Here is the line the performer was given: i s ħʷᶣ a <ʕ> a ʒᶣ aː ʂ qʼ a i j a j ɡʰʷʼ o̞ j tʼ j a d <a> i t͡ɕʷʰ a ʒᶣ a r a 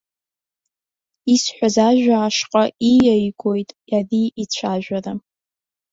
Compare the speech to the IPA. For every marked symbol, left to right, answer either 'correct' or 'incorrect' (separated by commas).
incorrect, incorrect